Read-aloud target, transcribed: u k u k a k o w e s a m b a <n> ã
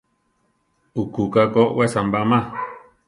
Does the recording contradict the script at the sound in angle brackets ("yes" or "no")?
yes